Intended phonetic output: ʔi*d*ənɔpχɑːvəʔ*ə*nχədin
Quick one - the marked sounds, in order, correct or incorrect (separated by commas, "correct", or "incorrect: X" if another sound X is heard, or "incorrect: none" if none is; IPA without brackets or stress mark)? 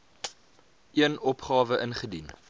incorrect: none, correct